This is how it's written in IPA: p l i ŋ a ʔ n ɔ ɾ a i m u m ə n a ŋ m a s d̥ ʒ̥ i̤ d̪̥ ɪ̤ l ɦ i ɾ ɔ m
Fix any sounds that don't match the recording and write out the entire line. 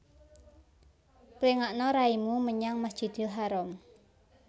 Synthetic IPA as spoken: p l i ŋ a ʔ n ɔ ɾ a i m u m ə ɲ a ŋ m a s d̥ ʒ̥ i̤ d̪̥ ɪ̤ l ɦ a ɾ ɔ m